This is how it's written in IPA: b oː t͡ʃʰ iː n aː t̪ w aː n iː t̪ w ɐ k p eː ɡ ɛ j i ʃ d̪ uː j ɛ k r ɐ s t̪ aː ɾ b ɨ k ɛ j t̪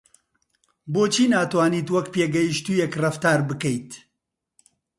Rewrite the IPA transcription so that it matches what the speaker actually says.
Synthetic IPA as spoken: b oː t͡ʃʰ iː n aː t̪ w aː n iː t̪ w ɐ k p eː ɡ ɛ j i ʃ t̪ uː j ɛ k r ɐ f t̪ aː ɾ b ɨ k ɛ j t̪